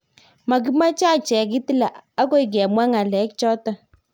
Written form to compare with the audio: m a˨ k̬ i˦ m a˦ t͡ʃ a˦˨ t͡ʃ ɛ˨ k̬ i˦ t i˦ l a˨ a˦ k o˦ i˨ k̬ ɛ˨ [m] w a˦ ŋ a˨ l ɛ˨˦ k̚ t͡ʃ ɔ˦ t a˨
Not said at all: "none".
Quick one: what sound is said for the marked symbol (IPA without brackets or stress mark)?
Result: m